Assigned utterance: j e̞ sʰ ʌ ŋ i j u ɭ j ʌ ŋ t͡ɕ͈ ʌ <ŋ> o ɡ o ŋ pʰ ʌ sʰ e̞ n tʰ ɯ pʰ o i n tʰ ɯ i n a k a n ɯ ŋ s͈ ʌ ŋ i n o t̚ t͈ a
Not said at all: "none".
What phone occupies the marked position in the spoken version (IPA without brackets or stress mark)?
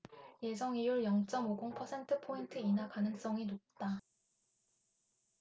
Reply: m